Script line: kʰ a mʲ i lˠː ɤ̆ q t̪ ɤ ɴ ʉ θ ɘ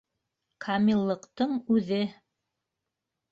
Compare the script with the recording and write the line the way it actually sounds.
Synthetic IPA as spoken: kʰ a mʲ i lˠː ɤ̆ q t̪ ɤ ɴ ʉ ð ɘ